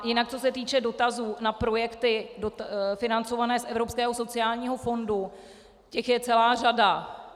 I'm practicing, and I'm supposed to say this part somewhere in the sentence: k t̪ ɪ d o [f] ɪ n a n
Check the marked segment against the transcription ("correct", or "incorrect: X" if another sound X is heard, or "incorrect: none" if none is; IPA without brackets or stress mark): correct